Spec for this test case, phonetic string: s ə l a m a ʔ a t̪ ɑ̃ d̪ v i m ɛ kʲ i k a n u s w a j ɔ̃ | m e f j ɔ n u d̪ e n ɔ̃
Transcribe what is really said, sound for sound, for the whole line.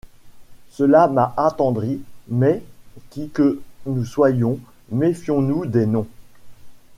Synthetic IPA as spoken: s ə l a m a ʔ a t̪ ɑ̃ d̪ ʁ i m ɛ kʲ i k ə n u s w a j ɔ̃ | m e f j ɔ̃ n u d̪ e n ɔ̃